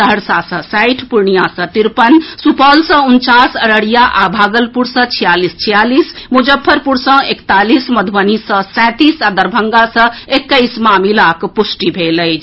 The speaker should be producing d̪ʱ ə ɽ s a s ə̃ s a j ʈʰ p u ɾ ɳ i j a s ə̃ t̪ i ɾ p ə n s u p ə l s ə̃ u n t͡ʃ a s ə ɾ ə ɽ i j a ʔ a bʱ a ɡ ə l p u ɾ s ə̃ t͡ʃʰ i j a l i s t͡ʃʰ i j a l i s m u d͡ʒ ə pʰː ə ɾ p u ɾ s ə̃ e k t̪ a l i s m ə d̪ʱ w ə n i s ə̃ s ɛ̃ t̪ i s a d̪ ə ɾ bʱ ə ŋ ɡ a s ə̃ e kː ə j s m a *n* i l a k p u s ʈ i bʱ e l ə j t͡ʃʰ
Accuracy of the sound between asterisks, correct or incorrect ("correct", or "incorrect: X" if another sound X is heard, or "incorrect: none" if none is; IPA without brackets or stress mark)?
incorrect: m